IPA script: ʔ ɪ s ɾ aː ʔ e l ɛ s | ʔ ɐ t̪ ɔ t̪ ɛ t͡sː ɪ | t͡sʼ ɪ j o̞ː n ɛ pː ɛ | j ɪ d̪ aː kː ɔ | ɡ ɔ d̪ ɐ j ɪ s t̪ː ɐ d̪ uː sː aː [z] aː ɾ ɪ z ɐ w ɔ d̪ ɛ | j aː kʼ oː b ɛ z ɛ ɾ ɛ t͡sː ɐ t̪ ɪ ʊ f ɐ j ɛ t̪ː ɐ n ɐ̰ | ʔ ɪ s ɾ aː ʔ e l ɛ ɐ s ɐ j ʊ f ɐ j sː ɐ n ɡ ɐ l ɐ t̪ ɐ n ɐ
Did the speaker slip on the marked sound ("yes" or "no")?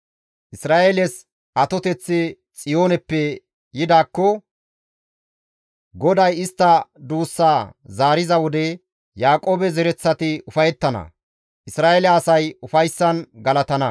no